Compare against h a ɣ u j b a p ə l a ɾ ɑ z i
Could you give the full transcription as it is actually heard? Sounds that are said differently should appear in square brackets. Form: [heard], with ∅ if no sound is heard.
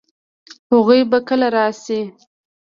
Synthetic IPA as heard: h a ɣ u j b a [k] ə l a ɾ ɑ [s] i

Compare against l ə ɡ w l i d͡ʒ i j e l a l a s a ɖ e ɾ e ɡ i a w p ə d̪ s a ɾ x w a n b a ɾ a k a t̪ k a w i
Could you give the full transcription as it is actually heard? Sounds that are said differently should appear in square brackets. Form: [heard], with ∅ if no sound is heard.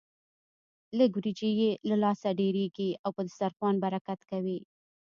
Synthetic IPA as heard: l ə ɡ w [ɾ] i d͡ʒ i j e l a l [ɑ] s a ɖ e ɾ e ɡ i a w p ə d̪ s a ɾ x w [ɑ] n b a ɾ a k a t̪ k a w i

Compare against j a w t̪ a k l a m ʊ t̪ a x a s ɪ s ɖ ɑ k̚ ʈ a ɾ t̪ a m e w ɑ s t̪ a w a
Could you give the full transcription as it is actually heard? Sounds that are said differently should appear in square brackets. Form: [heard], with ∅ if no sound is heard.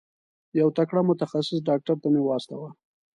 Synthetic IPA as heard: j a w t̪ a k [ɽ] a m ʊ t̪ a x a s ɪ s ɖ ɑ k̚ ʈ a ɾ t̪ a m e w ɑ s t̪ a w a

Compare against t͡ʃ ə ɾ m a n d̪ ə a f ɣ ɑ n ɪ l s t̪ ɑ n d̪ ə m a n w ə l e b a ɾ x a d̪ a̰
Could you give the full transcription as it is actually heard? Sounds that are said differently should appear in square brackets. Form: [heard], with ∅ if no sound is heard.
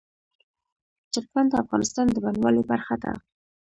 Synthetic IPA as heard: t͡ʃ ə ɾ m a n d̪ ə a f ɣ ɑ n ɪ [∅] s t̪ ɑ n d̪ ə [b] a n w [ɑ] l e b a ɾ x a d̪ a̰

